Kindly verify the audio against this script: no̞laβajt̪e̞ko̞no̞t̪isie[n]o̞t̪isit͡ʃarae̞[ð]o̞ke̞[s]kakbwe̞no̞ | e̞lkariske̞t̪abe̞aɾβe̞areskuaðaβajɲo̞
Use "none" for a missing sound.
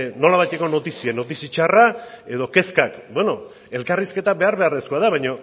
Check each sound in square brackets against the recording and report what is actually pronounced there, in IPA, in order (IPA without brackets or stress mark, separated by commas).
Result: n, ð, s